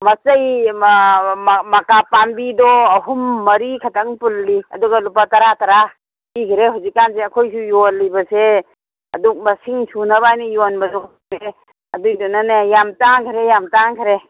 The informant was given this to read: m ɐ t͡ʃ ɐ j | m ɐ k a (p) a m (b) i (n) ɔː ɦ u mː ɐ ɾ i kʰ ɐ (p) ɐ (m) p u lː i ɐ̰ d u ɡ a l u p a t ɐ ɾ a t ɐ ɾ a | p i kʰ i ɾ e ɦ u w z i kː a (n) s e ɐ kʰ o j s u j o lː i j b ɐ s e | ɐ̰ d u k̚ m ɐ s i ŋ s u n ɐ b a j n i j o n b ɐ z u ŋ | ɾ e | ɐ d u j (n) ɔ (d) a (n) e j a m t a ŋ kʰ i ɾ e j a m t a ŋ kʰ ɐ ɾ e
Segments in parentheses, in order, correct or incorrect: correct, correct, incorrect, incorrect, incorrect, correct, incorrect, incorrect, correct

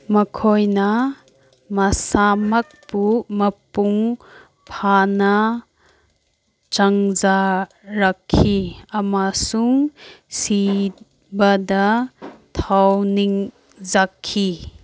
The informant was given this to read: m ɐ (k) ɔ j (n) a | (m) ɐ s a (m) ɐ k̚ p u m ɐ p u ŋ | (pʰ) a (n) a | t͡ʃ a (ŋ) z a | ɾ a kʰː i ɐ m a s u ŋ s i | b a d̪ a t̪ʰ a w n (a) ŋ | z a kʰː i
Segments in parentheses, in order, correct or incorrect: incorrect, correct, correct, correct, correct, correct, correct, incorrect

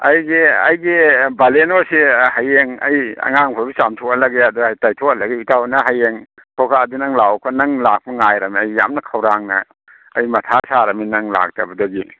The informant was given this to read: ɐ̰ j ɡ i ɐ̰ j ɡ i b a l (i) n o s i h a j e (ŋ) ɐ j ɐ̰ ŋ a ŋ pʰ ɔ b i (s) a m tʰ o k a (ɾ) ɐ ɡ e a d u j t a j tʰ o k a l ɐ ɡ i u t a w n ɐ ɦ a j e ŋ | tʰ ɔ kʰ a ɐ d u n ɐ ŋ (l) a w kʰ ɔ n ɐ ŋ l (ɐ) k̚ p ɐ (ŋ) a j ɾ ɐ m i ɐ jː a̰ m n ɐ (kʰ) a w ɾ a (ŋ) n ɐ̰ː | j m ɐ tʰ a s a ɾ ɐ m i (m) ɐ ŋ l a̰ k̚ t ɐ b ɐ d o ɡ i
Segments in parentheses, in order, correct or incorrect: incorrect, correct, correct, incorrect, correct, incorrect, correct, correct, correct, incorrect

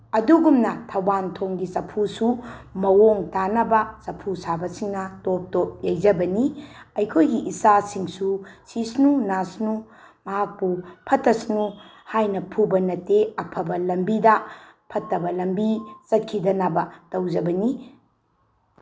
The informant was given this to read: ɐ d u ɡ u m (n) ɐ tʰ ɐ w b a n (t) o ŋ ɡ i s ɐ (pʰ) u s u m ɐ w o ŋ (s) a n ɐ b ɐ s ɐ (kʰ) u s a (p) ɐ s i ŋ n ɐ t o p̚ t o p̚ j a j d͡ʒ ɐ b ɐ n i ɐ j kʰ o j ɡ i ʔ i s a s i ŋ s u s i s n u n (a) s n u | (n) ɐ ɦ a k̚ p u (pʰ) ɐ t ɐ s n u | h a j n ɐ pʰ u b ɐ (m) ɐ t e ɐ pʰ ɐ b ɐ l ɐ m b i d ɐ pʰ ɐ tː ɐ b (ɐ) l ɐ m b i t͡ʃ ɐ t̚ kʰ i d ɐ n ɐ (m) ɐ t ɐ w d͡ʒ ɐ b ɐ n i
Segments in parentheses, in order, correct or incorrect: correct, incorrect, correct, incorrect, incorrect, incorrect, correct, incorrect, correct, incorrect, correct, incorrect

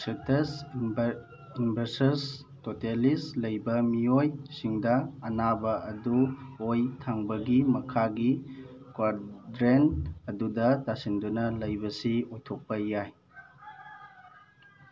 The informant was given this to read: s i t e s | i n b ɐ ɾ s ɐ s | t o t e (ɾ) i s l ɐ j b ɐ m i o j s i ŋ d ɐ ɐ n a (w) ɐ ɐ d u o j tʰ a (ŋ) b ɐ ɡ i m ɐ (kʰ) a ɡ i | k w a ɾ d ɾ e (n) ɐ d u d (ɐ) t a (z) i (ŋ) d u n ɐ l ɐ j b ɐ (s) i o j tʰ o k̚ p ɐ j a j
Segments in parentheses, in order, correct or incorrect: incorrect, incorrect, correct, correct, correct, correct, incorrect, incorrect, correct

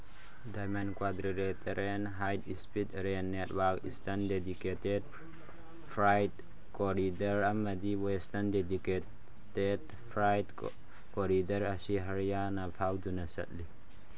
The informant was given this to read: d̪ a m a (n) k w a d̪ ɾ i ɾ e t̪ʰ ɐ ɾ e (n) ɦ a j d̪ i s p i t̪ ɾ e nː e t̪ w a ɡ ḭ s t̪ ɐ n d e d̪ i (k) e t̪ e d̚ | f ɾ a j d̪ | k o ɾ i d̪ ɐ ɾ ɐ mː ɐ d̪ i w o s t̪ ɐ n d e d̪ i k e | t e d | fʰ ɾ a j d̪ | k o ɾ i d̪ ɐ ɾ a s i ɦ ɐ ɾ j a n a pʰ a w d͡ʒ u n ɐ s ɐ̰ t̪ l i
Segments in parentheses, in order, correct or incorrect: correct, correct, correct

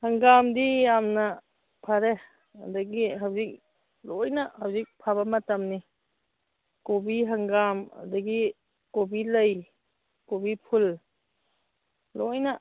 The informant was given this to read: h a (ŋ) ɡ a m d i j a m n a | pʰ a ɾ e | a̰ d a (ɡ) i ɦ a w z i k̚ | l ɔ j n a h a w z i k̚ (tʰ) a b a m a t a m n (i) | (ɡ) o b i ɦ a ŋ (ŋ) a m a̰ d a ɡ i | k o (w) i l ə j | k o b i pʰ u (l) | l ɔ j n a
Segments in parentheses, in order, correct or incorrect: correct, correct, incorrect, correct, incorrect, incorrect, incorrect, correct

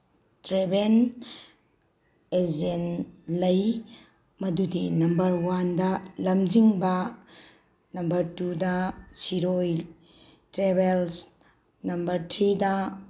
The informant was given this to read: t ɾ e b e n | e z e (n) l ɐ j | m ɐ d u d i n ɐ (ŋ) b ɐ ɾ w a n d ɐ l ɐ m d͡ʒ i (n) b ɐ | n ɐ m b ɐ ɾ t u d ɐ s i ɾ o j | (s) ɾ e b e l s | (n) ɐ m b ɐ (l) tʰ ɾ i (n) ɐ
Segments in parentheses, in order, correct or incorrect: correct, incorrect, incorrect, incorrect, correct, incorrect, incorrect

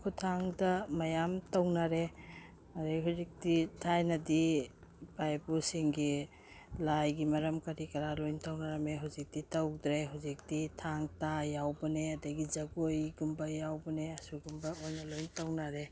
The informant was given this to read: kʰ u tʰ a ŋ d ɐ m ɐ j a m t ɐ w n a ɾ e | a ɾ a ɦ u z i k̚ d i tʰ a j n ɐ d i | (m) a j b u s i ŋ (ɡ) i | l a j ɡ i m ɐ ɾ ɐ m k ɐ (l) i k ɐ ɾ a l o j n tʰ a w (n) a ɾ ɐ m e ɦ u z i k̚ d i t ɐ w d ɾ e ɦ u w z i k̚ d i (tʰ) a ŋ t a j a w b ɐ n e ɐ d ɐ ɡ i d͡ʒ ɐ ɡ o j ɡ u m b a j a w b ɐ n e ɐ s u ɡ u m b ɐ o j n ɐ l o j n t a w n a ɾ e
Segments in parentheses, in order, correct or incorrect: incorrect, correct, incorrect, correct, correct

